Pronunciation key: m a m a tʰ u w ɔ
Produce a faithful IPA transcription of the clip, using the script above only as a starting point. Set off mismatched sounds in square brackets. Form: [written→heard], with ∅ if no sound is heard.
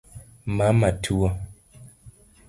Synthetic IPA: m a m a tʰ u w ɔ